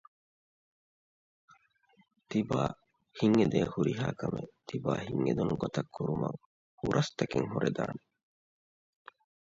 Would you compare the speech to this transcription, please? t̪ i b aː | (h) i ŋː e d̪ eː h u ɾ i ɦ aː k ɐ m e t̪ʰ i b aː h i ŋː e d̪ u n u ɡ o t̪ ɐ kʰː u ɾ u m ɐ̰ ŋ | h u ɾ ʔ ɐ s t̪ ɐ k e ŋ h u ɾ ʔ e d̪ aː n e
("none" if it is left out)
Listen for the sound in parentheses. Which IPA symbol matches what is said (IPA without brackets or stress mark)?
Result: h